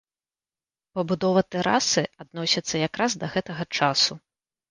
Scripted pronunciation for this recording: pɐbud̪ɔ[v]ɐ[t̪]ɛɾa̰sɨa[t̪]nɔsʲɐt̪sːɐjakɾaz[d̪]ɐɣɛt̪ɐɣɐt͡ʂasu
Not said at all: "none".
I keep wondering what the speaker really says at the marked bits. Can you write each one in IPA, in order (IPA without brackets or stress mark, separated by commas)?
v, t̪, d̪, d̪